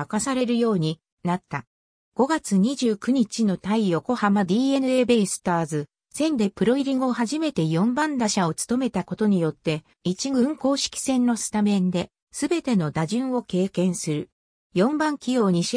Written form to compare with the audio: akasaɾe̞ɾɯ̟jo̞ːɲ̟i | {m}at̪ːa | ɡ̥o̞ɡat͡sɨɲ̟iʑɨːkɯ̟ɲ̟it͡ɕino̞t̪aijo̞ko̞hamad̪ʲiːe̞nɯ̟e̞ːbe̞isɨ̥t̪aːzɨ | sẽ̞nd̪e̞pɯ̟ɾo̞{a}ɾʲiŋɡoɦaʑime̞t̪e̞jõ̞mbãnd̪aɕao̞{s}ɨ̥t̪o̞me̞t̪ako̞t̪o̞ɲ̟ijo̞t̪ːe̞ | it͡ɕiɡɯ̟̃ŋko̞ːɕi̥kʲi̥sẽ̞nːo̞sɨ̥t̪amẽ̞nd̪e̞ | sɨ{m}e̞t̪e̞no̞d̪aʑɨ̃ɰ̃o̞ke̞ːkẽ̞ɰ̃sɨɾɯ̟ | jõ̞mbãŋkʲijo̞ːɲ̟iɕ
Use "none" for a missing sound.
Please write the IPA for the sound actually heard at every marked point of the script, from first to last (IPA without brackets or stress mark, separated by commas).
n, i, t͡s, b